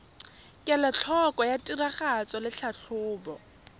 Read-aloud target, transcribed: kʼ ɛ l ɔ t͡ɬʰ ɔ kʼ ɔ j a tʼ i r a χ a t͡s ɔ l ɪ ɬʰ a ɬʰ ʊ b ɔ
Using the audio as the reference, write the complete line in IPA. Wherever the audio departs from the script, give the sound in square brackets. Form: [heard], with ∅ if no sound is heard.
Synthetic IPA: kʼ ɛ l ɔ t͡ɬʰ ɔ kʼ ɔ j a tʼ i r a χ a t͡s ɔ l ɪ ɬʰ a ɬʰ [ʊː] b ɔ